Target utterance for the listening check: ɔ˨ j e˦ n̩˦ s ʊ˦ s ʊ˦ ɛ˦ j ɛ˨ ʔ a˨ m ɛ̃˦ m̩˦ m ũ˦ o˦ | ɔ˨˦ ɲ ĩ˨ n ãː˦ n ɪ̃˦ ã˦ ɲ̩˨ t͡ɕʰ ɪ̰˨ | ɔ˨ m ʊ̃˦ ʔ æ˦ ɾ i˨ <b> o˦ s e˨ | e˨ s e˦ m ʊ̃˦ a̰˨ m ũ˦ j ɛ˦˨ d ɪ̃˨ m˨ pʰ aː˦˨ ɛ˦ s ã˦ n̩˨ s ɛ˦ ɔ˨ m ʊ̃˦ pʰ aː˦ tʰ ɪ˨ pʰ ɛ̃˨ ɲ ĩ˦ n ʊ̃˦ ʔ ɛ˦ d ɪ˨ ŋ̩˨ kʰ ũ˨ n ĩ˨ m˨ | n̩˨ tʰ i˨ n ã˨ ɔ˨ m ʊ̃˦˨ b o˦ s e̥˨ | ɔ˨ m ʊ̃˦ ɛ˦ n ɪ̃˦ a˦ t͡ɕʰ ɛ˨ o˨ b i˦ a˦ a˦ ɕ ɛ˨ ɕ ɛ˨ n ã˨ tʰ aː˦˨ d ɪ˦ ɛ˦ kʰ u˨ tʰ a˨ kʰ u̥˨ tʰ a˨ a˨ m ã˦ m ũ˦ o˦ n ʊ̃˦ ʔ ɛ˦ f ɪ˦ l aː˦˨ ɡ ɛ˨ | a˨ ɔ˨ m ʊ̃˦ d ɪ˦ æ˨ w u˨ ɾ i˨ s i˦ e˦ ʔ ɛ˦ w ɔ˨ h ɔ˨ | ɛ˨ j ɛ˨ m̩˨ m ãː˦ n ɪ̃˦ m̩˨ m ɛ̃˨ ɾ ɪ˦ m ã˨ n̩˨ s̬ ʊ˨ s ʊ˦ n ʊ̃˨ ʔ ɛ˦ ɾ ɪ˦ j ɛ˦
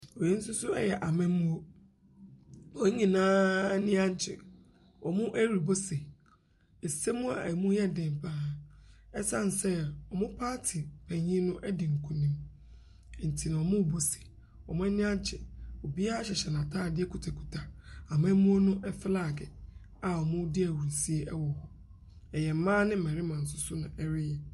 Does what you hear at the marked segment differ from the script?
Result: no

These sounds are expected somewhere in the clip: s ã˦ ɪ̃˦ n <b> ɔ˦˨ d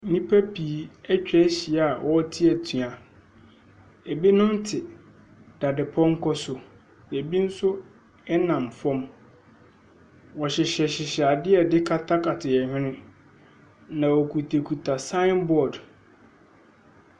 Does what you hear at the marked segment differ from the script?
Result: no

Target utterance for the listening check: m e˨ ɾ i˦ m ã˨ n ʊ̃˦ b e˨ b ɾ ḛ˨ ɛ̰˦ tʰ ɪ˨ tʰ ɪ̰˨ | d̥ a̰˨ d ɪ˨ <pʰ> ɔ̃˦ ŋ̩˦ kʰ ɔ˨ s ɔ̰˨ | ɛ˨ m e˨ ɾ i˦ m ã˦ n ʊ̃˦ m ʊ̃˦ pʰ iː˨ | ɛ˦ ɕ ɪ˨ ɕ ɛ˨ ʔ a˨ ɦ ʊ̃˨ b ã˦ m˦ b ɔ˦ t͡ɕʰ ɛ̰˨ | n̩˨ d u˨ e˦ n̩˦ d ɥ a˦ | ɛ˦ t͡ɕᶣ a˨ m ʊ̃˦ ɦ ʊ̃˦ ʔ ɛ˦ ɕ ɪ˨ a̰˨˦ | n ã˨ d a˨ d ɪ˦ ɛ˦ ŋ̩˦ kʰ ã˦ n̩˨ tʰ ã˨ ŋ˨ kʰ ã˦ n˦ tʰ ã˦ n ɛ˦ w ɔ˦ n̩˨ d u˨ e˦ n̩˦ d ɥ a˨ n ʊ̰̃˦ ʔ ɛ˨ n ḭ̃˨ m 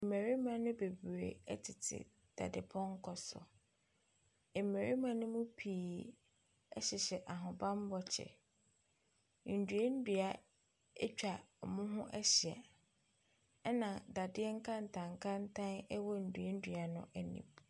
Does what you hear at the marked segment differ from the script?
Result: no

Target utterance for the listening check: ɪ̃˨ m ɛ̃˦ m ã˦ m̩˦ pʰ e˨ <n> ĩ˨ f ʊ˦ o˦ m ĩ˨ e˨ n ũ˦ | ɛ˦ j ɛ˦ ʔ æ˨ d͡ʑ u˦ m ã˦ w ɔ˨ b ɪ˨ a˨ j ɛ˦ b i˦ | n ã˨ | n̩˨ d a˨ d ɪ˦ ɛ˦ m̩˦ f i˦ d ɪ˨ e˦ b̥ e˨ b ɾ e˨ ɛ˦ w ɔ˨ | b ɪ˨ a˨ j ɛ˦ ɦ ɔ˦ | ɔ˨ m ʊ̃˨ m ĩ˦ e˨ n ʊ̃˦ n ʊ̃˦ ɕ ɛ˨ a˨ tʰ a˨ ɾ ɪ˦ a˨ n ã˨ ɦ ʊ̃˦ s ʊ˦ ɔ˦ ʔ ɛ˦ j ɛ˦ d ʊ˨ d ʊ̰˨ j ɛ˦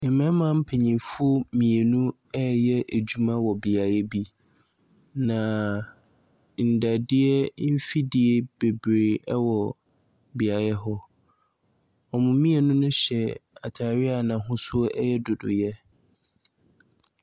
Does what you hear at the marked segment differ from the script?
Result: yes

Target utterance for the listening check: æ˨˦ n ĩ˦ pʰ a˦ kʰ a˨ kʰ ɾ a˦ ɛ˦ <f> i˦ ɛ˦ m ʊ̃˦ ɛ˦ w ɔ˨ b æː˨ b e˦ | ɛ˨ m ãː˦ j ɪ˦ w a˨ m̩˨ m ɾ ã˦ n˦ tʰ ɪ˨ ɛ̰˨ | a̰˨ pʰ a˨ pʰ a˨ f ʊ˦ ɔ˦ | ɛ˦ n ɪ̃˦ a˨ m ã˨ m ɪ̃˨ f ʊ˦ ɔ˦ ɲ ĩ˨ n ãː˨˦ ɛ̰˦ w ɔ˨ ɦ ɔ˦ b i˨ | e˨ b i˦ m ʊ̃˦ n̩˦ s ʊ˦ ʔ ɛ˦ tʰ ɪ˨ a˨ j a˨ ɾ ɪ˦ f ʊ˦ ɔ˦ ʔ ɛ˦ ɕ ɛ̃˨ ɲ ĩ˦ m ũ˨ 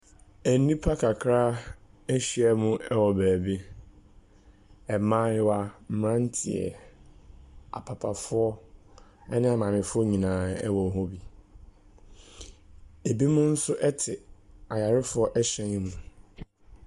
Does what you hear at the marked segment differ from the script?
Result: yes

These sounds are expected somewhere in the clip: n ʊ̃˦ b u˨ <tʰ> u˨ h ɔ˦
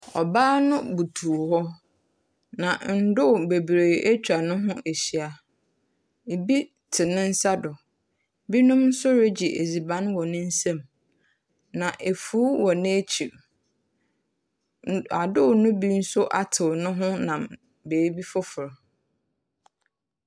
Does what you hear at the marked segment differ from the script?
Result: no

